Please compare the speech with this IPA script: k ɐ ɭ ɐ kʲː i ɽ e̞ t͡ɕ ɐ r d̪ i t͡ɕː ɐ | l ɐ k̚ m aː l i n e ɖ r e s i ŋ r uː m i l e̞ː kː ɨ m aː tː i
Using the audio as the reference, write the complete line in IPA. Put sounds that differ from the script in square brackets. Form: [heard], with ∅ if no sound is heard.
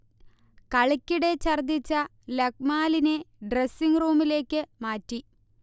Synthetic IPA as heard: k ɐ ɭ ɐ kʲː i ɽ e̞ t͡ɕ ɐ r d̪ i t͡ɕː ɐ | l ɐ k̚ m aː l i n e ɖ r e s i ŋ r uː m i l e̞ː kː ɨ m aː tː i